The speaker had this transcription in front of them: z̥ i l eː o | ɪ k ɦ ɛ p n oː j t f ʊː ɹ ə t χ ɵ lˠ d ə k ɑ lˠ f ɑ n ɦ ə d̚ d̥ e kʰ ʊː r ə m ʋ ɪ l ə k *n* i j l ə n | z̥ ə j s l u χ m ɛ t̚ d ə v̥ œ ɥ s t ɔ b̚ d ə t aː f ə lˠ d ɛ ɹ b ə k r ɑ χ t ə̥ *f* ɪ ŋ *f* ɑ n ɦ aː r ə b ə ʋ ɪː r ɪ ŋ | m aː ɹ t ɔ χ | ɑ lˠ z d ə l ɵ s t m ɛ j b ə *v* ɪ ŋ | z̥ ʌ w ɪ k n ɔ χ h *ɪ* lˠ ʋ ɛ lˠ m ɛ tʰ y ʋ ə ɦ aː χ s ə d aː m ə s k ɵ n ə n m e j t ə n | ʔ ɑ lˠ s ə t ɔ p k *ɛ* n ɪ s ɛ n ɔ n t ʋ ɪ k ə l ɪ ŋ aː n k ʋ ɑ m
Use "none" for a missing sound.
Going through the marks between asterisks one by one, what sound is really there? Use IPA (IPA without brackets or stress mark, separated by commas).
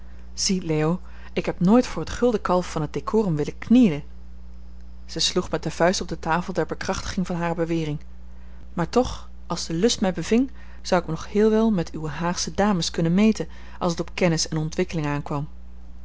n, χ, v, v, ɪː, ɛ